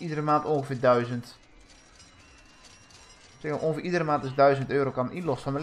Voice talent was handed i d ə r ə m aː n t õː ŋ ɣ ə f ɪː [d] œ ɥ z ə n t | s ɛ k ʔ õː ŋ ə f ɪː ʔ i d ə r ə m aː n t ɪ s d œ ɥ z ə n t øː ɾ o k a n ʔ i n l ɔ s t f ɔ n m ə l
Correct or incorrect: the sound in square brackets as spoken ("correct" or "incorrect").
correct